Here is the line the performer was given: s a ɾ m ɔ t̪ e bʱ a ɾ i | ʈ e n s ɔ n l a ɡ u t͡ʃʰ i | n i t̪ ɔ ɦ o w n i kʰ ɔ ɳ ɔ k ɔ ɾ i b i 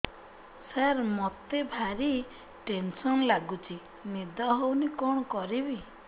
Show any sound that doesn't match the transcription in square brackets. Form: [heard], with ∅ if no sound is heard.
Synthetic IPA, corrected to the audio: s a ɾ m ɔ t̪ e bʱ a ɾ i | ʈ e n s ɔ n l a ɡ u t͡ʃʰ i | n i [d̪] ɔ ɦ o w n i [k] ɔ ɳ ɔ k ɔ ɾ i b i